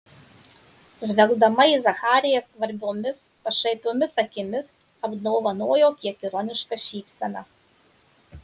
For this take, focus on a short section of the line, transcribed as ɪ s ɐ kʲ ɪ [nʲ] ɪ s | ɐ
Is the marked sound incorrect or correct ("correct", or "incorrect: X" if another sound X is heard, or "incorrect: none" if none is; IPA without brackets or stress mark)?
incorrect: mʲ